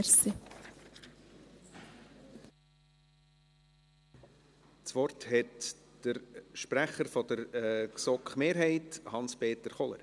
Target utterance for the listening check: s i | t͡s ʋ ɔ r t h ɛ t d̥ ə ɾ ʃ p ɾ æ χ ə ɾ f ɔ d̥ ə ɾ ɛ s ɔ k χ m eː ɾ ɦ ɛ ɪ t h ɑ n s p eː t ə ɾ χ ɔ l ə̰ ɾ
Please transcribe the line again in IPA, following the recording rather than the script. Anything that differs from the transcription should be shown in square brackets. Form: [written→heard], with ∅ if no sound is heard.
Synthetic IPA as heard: s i | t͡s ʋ ɔ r t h ɛ t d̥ ə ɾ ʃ p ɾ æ χ ə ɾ f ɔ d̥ ə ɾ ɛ s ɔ k χ m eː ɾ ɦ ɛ ɪ t h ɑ n s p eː t ə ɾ χ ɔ l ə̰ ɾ